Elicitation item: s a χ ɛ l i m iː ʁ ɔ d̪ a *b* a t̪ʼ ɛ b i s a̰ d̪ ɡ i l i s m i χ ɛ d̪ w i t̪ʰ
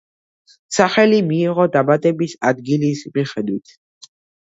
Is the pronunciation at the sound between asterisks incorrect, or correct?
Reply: correct